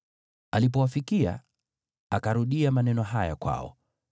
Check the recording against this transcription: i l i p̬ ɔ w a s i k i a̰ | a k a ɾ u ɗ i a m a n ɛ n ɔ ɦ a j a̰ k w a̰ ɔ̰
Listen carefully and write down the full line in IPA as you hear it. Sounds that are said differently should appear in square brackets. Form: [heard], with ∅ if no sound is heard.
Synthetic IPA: [a] l i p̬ ɔ w a [f] i k i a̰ | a k a ɾ u ɗ i a m a n ɛ n ɔ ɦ a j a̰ k w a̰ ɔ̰